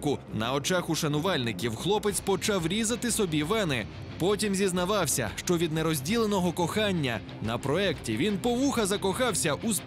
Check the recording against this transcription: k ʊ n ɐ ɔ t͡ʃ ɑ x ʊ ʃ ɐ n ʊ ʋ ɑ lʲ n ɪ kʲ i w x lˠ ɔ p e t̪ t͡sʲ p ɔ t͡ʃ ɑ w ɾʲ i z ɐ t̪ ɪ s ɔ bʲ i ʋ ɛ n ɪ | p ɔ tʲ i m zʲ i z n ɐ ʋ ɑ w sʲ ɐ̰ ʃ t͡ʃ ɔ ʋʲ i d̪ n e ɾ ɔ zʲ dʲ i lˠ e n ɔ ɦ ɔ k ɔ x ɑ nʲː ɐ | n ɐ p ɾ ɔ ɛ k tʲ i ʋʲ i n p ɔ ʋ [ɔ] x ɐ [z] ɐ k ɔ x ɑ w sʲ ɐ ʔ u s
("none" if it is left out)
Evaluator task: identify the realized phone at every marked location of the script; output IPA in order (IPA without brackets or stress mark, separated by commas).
u, z